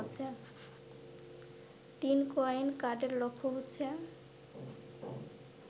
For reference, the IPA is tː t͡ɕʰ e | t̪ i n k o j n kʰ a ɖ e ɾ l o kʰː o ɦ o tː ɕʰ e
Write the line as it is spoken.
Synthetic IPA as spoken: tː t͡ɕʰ e | t̪ i n k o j n k a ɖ e ɾ l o kʰː o ɦ o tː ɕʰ e